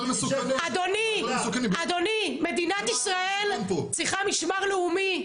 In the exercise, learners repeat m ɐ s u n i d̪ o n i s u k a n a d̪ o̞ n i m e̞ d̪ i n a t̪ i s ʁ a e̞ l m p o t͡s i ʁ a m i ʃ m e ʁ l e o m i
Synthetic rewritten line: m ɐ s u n a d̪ o n i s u k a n a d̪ o̞ n i m e̞ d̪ i n a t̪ i s ʁ a e̞ l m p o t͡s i χ a m i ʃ m a ʁ l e u m i